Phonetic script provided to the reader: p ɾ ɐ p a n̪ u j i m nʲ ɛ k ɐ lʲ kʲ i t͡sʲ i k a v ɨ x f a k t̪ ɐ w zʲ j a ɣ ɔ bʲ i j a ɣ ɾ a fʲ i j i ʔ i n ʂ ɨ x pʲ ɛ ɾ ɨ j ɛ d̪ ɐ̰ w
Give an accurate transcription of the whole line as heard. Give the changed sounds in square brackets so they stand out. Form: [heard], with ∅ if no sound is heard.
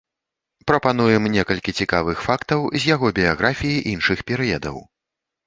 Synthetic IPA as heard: p ɾ ɐ p a n̪ u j [ɛ] m nʲ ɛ k ɐ lʲ kʲ i t͡sʲ i k a v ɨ x f a k t̪ ɐ w zʲ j a ɣ ɔ bʲ i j a ɣ ɾ a fʲ i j i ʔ i n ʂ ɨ x pʲ ɛ ɾ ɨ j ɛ d̪ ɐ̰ w